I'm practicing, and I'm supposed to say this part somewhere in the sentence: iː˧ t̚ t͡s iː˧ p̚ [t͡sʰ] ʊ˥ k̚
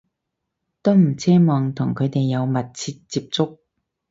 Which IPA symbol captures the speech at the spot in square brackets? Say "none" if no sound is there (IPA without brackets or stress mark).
t͡s